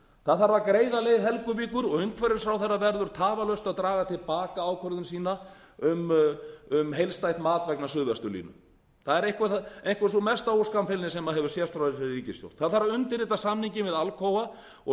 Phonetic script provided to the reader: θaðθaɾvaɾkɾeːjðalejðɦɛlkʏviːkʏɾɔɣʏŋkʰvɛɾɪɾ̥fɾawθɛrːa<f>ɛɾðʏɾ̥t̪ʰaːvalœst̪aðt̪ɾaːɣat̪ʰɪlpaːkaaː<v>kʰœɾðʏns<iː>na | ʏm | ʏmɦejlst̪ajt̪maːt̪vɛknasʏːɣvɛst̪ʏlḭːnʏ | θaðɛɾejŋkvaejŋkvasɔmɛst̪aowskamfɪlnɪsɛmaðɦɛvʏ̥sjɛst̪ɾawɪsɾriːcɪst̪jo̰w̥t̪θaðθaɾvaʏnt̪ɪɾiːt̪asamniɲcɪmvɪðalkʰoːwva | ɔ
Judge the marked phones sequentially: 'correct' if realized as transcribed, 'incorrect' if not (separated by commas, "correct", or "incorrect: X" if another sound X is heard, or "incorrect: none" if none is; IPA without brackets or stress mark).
incorrect: v, incorrect: w, correct